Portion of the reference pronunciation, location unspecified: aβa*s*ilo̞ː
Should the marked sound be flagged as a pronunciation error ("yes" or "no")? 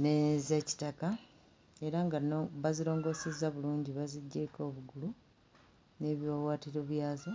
yes